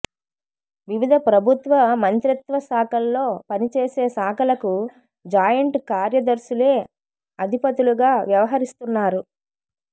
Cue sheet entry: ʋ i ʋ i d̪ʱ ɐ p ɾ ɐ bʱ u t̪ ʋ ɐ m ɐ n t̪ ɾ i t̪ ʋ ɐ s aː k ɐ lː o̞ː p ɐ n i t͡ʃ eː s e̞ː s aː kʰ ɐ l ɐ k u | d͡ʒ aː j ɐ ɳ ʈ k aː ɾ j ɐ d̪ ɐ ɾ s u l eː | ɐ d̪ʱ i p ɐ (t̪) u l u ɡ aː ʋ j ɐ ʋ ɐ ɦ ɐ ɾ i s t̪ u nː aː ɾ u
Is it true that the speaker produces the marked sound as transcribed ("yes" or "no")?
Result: yes